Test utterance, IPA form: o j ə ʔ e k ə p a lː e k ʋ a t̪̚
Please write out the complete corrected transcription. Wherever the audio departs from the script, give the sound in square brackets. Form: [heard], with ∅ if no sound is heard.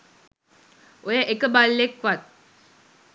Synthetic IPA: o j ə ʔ e k ə [b] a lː e k ʋ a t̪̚